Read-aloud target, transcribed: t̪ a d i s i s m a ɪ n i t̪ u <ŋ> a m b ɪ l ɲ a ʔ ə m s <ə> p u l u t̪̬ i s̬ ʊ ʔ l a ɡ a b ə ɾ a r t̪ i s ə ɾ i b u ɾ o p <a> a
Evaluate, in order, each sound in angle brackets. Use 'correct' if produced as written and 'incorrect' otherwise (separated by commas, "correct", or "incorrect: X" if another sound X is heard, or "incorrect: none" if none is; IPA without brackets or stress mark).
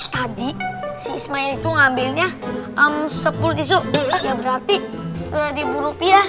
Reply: correct, correct, incorrect: i